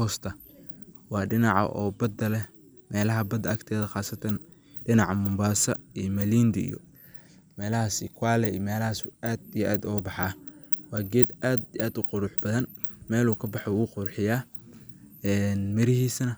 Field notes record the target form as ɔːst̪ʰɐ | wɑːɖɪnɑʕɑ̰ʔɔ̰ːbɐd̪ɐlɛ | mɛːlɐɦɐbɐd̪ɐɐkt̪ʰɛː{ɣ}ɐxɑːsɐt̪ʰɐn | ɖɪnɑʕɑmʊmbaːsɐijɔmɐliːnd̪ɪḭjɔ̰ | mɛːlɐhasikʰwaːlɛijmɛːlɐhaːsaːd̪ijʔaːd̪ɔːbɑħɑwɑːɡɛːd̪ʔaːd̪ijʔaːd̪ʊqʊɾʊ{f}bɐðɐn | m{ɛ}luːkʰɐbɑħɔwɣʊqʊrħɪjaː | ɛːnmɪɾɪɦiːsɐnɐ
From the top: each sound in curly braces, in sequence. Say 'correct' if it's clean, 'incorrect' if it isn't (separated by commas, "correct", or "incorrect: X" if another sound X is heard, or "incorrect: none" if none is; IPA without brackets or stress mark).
incorrect: ð, incorrect: ħ, incorrect: ɛː